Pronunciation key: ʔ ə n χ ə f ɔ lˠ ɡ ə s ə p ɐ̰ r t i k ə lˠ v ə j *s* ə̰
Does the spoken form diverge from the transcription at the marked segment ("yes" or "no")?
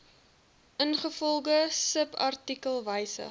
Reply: no